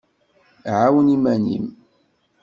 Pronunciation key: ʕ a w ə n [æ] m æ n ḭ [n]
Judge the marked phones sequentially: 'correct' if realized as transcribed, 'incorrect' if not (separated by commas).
incorrect, incorrect